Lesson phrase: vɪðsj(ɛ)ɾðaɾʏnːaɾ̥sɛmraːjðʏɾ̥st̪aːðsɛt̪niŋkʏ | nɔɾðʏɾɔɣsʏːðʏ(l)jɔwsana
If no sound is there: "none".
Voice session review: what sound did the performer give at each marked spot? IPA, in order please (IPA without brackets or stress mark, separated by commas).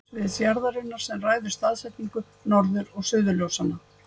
a, l